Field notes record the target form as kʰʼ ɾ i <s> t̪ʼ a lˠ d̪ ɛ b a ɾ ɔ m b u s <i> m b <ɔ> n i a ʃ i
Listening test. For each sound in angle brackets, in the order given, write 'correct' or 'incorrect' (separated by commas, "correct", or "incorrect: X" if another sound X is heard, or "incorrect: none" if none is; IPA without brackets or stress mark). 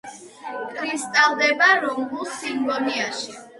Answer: correct, correct, correct